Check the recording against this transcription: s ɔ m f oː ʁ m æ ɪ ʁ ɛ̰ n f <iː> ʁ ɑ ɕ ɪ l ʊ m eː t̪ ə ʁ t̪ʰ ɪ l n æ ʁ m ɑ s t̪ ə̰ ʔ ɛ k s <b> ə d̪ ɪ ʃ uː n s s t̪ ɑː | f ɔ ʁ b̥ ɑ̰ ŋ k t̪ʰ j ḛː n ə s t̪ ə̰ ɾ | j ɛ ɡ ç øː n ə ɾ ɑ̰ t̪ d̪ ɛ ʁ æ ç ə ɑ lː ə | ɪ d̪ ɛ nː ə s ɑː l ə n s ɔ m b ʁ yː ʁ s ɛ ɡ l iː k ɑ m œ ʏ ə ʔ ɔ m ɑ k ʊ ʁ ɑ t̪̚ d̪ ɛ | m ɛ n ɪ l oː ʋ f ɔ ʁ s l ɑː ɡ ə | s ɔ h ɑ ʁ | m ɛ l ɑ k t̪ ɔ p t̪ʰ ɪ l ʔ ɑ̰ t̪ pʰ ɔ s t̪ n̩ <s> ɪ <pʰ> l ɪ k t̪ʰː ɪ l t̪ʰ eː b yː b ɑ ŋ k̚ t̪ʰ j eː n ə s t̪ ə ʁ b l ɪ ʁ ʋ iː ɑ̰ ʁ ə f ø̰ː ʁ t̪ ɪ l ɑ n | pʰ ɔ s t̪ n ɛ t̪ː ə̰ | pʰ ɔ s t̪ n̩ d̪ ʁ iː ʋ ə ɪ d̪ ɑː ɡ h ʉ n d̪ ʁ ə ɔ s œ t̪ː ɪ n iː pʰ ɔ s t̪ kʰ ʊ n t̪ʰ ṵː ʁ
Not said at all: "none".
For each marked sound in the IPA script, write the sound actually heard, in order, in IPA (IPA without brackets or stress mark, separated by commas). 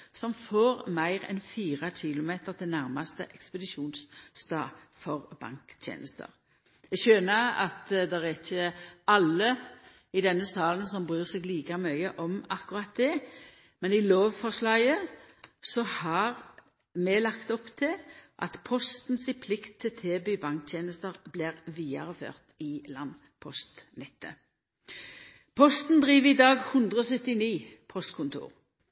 iː, p, s, pʰ